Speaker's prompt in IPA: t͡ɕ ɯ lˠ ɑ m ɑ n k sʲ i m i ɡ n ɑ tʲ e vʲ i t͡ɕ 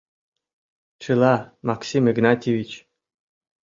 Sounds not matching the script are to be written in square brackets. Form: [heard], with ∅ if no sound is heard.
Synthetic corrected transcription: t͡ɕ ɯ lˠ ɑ m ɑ [∅] k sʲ i m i ɡ n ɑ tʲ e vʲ i t͡ɕ